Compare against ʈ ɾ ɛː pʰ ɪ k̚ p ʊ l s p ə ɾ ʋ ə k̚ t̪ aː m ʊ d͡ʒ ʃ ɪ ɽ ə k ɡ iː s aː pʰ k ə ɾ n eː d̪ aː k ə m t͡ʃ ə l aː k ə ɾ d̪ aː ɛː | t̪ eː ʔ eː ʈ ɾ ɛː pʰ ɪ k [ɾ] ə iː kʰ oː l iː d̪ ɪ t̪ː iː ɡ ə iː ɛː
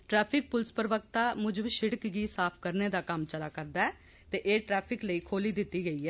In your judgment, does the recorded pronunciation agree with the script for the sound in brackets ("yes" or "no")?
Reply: no